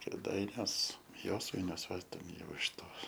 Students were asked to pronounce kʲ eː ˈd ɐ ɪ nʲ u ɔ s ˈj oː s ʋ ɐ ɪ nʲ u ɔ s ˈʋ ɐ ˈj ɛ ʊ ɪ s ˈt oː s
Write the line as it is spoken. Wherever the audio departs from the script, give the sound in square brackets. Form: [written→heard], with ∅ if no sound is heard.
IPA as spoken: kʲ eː ˈd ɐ ɪ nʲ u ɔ s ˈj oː s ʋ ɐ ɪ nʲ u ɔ s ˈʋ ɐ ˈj ɛ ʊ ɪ [s→ʃ] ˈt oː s